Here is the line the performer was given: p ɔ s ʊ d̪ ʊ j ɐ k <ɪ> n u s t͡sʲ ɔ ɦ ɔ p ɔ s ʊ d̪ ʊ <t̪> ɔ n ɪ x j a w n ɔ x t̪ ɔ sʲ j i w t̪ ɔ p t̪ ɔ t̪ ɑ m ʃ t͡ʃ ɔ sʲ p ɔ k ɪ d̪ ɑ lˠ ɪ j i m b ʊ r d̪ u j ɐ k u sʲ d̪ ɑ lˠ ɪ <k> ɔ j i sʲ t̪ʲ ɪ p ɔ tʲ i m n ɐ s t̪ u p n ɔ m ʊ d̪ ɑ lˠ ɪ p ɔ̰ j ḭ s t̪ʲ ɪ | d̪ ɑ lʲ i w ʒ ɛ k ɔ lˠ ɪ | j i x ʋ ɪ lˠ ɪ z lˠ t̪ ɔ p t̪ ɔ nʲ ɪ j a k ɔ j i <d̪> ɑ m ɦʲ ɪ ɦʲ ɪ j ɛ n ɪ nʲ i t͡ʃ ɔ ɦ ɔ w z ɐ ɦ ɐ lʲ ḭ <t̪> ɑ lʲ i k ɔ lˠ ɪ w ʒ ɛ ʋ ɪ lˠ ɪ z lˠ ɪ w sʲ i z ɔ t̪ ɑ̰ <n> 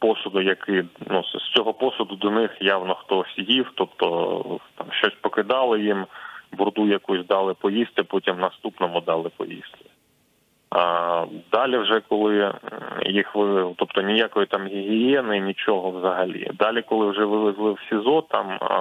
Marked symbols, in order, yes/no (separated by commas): yes, no, no, no, no, no